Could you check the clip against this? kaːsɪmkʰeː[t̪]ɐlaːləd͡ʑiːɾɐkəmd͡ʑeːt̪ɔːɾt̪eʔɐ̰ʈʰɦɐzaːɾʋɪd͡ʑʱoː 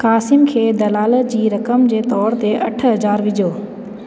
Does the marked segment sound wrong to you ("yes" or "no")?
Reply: yes